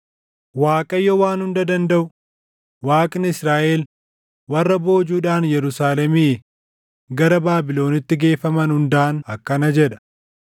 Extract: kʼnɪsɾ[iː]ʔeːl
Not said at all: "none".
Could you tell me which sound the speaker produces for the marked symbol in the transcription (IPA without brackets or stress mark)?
aː